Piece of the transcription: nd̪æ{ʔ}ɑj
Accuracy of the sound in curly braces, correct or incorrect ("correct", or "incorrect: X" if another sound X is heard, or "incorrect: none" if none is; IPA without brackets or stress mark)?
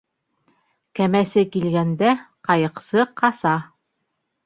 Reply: incorrect: q